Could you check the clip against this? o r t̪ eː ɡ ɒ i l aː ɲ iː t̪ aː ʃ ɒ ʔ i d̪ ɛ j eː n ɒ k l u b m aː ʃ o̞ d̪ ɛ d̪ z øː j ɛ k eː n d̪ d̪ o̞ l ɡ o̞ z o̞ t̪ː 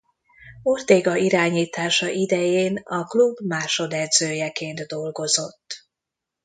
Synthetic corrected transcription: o r t̪ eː ɡ ɒ i ɾ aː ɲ iː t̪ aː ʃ ɒ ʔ i d̪ ɛ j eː n ɒ k l u b m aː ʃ o̞ d̪ ɛ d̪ z øː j ɛ k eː n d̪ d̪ o̞ l ɡ o̞ z o̞ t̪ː